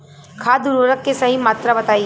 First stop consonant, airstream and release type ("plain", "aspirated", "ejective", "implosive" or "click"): aspirated